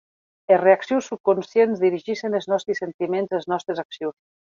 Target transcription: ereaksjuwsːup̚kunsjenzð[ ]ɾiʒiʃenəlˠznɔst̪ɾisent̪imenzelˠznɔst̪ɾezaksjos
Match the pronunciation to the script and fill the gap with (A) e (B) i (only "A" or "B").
B